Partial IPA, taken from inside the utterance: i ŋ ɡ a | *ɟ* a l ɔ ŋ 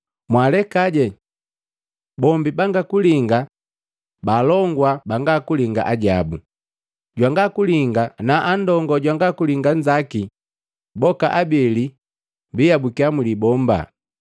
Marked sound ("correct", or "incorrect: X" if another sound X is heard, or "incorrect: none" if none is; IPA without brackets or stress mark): incorrect: b